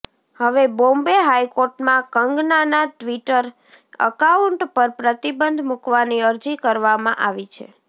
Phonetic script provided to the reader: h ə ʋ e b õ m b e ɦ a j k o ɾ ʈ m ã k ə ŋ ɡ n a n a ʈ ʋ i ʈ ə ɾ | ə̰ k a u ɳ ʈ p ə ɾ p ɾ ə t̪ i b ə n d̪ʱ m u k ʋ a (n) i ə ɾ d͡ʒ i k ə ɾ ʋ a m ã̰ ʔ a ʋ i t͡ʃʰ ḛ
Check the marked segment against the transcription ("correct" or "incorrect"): correct